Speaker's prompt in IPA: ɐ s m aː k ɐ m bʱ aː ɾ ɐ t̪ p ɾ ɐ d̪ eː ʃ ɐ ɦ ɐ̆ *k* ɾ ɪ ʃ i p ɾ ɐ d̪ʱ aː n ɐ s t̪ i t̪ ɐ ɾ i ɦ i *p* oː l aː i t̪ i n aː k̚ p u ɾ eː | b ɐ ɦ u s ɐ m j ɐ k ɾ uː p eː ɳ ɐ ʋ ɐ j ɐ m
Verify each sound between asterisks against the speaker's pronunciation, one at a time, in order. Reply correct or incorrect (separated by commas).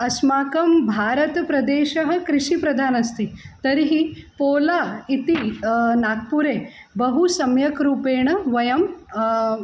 correct, correct